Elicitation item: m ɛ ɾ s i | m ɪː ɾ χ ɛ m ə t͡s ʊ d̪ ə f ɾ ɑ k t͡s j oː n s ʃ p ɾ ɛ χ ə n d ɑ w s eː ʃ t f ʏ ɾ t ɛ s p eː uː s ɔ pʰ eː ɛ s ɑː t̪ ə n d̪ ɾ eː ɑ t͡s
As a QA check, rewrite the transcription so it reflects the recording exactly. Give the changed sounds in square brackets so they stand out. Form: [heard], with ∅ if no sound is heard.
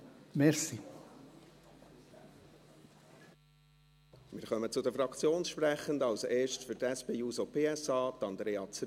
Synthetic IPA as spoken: m ɛ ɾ s i | m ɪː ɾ χ [œ] m ə t͡s ʊ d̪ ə f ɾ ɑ k t͡s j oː n s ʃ p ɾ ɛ χ ə n d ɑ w s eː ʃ t f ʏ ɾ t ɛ s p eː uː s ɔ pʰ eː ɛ s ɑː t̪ [ɑ] n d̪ ɾ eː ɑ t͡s